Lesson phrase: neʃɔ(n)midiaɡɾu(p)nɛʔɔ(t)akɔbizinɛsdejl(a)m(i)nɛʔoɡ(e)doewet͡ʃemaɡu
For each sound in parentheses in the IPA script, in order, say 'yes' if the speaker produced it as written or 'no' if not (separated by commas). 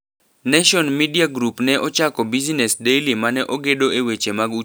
yes, yes, no, no, no, yes